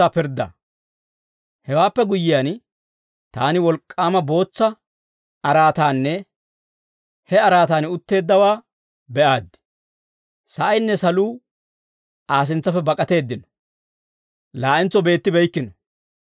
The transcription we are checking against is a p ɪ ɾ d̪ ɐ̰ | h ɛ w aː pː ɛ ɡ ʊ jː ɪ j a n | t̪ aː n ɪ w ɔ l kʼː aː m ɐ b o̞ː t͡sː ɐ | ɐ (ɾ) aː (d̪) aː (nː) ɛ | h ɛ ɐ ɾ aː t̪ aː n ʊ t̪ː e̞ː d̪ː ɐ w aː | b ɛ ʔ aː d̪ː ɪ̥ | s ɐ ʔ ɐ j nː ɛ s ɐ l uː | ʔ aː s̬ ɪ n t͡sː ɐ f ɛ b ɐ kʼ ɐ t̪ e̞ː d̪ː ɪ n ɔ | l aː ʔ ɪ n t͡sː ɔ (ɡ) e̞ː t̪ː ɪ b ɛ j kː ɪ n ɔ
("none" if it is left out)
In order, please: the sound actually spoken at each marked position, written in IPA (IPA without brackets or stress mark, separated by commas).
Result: ɾ, t̪, nː, b